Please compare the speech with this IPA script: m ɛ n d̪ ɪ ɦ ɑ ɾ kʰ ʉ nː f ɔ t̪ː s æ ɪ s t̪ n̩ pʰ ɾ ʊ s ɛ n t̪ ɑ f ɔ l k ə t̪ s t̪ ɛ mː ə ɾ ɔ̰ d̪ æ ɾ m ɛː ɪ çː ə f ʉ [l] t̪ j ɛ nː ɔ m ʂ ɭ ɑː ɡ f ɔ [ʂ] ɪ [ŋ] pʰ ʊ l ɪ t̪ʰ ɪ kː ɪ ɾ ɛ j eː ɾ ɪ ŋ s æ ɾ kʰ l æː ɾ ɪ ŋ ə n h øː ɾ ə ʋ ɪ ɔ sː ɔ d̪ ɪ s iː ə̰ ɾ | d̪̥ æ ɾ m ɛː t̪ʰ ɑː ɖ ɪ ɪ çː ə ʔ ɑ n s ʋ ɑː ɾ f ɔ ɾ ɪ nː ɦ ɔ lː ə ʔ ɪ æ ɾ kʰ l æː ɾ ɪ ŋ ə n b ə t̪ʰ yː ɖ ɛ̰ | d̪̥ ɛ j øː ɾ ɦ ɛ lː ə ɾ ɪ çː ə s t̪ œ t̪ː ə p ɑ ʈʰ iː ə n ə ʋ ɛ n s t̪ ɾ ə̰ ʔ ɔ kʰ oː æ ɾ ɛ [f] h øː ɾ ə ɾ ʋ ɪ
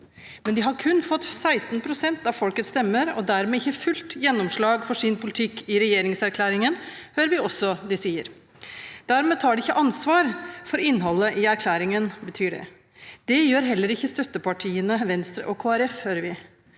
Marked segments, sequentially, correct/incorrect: correct, correct, incorrect: n, correct

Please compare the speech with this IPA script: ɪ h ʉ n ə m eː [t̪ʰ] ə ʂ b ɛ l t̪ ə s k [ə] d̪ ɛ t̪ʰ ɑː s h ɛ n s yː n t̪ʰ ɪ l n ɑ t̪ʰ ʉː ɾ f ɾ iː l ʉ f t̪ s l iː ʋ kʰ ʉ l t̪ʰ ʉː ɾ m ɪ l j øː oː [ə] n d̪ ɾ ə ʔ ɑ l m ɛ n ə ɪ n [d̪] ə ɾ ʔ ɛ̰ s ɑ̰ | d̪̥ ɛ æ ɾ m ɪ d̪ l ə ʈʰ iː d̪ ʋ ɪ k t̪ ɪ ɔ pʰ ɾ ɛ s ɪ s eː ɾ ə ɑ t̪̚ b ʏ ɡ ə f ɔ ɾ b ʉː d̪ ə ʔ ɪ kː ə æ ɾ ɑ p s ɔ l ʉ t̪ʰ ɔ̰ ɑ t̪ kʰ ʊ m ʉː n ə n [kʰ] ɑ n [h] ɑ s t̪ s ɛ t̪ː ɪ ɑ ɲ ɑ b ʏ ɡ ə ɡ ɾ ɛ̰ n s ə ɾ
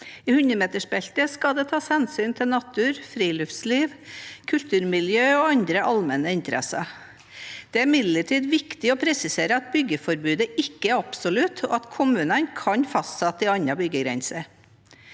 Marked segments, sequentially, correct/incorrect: incorrect: t̪, incorrect: ɑ, incorrect: ɑ, incorrect: t̪, correct, incorrect: f

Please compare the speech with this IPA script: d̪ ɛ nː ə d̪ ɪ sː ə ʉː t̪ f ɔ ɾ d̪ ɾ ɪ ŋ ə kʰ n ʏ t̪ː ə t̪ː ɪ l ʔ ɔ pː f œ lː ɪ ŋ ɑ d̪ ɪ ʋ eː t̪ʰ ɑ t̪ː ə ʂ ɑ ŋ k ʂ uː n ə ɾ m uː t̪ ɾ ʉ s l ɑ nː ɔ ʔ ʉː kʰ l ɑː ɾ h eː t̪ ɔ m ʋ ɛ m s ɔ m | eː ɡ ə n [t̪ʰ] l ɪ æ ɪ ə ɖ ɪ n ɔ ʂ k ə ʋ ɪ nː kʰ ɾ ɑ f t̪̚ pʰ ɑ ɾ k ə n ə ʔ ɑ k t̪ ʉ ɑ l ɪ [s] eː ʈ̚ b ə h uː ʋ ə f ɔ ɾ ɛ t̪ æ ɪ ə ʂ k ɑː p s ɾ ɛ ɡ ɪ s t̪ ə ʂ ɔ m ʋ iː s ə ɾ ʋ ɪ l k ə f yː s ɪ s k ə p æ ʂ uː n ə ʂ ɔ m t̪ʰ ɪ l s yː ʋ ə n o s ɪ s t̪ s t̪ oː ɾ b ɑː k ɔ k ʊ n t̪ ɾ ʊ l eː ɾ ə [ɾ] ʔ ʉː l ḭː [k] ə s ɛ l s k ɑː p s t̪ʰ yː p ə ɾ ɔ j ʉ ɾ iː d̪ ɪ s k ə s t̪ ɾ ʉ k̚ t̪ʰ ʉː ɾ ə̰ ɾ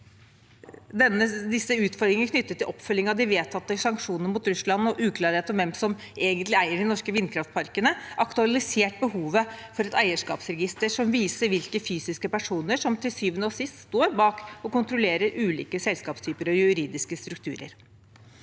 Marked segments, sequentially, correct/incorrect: incorrect: t̪, correct, correct, correct

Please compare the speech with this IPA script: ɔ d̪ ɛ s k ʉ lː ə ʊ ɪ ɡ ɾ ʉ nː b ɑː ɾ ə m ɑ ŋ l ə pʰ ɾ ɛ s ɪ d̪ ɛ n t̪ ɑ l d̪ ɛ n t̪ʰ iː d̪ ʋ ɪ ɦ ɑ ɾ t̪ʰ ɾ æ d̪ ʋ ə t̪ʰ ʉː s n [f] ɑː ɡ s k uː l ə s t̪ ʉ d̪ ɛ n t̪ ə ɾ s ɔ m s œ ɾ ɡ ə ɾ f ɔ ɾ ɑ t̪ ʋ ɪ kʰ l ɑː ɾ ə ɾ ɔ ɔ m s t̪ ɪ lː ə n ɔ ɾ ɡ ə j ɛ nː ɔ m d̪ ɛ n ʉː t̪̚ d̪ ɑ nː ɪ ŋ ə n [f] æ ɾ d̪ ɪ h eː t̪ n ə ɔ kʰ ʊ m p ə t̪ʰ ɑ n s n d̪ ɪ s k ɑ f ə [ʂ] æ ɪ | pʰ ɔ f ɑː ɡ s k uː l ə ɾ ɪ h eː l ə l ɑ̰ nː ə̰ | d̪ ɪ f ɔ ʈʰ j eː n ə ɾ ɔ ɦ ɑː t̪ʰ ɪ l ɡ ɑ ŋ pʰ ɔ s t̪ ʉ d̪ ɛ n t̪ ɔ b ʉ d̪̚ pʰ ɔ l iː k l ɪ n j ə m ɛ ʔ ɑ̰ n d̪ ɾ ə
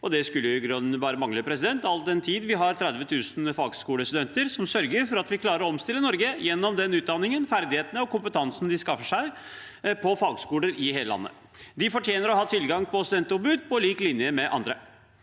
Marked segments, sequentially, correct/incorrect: correct, correct, correct

